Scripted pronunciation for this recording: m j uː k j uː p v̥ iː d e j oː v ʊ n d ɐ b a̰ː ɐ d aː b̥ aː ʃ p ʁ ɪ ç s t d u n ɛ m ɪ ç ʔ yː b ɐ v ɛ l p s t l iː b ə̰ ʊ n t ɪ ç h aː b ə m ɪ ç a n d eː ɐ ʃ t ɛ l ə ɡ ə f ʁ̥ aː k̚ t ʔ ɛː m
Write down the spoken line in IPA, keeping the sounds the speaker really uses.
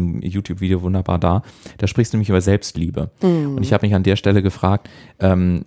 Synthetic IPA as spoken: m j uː t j uː p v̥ iː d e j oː v ʊ n d ɐ b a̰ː ɐ d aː d̥ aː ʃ p ʁ ɪ ç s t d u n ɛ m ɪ ç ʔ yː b ɐ z ɛ l p s t l iː b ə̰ ʊ n t ɪ ç h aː b ə m ɪ ç a n d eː ɐ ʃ t ɛ l ə ɡ ə f ʁ̥ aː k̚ t ʔ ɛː m